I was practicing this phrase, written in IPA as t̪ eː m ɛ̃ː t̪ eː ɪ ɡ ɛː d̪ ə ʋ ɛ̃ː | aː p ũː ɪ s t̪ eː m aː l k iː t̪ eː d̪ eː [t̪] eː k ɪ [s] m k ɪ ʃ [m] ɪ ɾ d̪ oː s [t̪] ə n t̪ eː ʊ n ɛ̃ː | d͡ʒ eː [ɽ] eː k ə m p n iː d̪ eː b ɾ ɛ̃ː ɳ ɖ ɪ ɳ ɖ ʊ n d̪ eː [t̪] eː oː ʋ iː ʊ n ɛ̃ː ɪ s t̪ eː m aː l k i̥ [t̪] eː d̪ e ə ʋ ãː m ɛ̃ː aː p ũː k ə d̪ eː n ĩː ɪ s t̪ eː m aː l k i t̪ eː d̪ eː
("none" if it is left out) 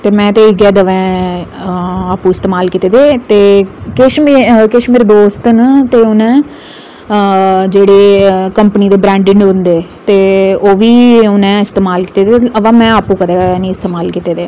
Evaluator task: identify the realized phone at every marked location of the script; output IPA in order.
t̪, ʃ, m, t̪, ɽ, t̪, t̪

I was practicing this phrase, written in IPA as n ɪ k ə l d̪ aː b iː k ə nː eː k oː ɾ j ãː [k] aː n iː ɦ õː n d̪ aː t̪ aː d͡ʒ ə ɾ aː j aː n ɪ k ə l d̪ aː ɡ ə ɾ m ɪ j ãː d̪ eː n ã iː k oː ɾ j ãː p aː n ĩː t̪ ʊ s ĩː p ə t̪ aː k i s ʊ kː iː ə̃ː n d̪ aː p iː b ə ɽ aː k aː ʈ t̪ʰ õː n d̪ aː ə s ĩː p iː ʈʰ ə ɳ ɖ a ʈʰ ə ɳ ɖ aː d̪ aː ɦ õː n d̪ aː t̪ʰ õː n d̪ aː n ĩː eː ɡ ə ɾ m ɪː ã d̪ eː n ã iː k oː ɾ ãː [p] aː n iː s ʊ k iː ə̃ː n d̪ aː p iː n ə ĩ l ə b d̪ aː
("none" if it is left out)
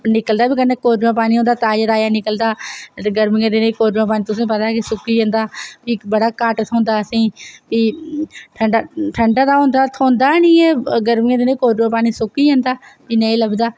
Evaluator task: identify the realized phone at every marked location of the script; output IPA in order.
p, p

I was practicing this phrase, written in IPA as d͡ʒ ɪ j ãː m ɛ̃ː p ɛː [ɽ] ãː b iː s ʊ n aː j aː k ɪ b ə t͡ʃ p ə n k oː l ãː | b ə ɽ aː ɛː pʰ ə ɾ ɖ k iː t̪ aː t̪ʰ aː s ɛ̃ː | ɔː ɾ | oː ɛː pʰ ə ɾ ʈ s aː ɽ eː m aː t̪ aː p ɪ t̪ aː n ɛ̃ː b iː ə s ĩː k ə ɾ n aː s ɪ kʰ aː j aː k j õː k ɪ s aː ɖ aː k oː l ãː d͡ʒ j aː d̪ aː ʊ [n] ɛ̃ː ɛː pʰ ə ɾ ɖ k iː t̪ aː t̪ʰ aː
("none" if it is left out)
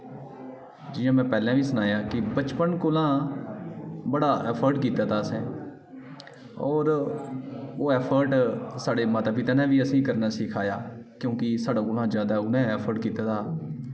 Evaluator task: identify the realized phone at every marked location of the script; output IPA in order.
l, n

